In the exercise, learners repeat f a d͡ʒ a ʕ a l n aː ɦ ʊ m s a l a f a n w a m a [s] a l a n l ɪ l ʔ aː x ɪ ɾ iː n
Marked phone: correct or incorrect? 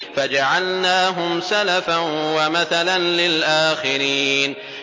incorrect: θ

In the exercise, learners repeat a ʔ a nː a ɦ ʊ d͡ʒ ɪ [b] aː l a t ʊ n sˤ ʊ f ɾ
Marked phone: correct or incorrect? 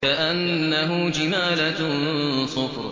incorrect: m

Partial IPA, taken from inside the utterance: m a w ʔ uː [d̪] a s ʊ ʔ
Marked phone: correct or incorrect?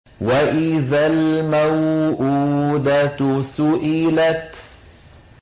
correct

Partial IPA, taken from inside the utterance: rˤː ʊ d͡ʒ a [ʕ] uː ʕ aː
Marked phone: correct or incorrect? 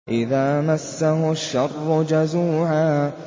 incorrect: z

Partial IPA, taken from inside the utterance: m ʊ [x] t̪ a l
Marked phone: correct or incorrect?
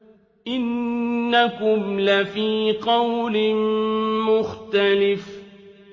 correct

